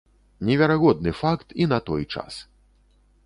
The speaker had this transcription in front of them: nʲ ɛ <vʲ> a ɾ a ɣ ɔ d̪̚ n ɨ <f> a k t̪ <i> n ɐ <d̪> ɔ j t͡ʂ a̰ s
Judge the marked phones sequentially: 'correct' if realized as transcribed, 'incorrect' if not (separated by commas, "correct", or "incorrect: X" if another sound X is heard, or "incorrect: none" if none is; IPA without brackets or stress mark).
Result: correct, correct, correct, incorrect: t̪